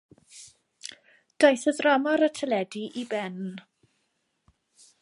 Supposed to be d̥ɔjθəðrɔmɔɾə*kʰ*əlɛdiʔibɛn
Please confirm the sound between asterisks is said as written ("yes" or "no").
no